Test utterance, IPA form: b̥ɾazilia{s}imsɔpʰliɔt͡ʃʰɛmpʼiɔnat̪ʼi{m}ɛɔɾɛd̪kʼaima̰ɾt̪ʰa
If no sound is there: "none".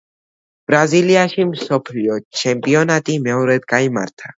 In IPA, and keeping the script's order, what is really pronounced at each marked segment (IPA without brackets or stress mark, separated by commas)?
ʃ, m